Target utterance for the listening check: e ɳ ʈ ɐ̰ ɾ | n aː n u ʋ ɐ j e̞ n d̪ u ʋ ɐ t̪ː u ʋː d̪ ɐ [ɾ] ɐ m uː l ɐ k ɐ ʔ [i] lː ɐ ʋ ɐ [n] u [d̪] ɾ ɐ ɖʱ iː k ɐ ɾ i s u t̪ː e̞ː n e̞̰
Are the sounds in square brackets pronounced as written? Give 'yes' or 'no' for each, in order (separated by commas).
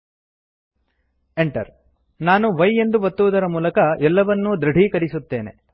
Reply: yes, no, no, yes